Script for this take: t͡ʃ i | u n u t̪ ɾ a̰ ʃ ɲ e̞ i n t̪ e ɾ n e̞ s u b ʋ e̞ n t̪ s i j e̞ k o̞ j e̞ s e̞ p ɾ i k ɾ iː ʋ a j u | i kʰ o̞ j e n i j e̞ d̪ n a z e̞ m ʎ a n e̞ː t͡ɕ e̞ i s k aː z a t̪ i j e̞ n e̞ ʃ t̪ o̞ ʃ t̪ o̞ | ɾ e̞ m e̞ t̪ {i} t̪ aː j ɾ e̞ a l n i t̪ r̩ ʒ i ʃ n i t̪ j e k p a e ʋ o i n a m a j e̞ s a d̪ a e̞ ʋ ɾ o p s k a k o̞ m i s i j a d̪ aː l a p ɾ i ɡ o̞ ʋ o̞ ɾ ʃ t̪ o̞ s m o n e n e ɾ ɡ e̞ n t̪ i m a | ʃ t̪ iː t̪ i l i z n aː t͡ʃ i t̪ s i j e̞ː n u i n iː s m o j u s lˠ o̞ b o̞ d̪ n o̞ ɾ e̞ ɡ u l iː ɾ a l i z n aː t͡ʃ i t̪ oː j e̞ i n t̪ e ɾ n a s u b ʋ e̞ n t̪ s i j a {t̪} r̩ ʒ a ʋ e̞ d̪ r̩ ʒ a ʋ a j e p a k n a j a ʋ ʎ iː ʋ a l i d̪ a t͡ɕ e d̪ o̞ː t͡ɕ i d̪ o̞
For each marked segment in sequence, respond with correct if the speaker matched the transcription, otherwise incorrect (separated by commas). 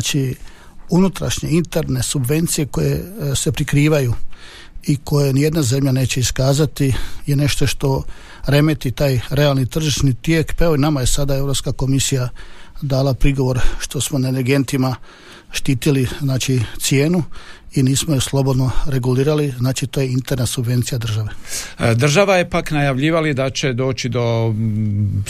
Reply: correct, incorrect